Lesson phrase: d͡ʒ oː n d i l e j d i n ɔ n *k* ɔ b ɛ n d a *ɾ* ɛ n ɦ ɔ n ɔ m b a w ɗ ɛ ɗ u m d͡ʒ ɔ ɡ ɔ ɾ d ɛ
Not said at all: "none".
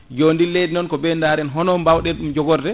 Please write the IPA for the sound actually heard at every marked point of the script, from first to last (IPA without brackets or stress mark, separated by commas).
k, ɾ